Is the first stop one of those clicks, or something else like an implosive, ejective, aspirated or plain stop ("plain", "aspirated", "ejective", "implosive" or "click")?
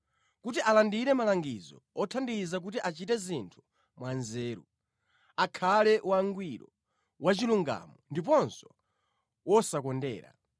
plain